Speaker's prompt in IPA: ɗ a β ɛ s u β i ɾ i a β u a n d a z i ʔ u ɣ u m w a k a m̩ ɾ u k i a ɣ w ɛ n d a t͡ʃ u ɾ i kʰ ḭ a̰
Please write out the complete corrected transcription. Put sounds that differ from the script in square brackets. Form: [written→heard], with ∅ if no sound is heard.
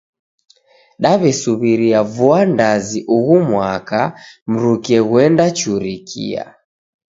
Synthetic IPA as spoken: ɗ a β ɛ s u β i ɾ i a [β→v] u a n d a z i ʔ u ɣ u m w a k a m̩ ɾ u k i [a→ɛ] ɣ w ɛ n d a t͡ʃ u ɾ i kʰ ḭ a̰